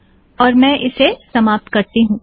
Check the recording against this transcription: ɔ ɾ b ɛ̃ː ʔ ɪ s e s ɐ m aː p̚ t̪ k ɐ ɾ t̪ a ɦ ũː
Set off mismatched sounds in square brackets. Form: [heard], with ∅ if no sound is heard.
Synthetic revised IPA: [ɔː] ɾ [m] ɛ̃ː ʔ ɪ s e s ɐ m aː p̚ t̪ k ɐ ɾ t̪ [i] ɦ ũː